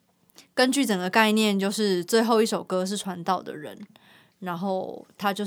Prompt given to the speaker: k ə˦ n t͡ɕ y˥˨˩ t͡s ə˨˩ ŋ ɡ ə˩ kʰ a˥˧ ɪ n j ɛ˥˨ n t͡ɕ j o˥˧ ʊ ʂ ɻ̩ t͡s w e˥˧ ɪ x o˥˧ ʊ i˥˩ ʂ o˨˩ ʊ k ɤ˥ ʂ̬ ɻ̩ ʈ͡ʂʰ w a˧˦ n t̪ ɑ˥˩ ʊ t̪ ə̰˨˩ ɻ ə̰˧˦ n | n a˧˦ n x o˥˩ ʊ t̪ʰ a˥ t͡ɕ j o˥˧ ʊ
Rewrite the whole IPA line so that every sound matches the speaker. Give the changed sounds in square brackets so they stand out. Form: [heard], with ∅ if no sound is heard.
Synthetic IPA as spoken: k ə˦ n t͡ɕ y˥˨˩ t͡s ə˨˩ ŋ ɡ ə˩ [k] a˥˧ ɪ n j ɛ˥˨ n t͡ɕ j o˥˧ ʊ ʂ ɻ̩ t͡s w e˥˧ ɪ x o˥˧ ʊ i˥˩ ʂ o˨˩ ʊ k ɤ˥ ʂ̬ ɻ̩ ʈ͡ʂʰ w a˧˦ n t̪ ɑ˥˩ ʊ [d̪] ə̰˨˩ ɻ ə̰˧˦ n | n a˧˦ n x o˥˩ ʊ t̪ʰ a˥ t͡ɕ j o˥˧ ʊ